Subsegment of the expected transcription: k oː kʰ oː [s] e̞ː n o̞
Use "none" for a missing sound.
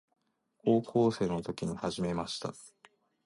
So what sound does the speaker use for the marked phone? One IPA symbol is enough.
s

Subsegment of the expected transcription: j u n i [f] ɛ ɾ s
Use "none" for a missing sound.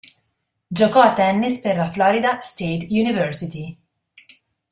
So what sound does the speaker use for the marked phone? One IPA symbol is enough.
v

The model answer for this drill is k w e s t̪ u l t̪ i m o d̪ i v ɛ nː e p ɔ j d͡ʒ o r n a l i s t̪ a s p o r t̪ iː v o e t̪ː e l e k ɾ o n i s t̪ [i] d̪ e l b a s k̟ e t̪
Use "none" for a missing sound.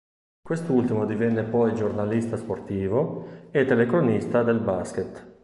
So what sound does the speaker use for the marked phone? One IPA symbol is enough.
a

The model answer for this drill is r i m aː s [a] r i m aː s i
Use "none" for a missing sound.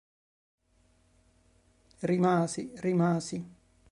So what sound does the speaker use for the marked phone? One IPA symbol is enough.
i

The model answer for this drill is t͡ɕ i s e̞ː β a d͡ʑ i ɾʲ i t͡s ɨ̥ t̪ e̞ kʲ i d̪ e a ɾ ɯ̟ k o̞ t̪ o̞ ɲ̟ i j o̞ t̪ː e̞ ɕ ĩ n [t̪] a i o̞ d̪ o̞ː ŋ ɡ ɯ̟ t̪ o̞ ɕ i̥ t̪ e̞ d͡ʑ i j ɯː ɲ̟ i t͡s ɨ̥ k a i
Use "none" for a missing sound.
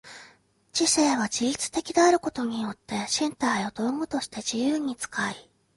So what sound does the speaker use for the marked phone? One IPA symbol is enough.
t̪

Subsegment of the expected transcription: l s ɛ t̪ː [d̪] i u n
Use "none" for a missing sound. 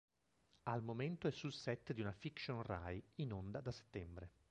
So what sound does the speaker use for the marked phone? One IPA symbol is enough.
d̪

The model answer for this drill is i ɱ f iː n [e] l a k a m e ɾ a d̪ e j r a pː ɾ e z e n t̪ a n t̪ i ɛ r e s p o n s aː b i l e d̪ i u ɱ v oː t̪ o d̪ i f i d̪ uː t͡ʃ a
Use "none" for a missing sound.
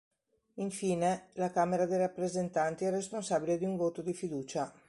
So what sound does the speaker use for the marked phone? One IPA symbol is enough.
e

